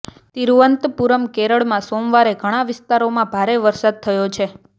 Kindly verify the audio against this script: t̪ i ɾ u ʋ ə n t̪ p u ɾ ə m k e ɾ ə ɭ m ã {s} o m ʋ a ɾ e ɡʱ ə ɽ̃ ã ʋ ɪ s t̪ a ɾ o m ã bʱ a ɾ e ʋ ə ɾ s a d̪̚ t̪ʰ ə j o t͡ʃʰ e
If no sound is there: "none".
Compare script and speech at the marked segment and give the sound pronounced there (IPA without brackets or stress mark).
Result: s